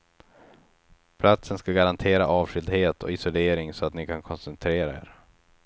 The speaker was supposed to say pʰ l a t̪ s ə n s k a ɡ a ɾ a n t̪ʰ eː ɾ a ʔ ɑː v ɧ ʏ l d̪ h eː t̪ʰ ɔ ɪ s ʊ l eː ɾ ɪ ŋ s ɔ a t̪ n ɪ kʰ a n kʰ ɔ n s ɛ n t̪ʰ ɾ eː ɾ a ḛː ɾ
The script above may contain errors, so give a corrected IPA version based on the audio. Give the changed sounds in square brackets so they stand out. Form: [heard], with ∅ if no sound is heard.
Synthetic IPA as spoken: pʰ l a t̪ s ə n s k a ɡ a ɾ a n t̪ʰ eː ɾ a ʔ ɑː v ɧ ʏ l d̪ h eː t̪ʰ ɔ ɪ s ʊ l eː ɾ ɪ ŋ s ɔ a t̪ n ɪ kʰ a n kʰ ɔ n s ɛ n t̪ʰ ɾ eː ɾ a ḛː ɾ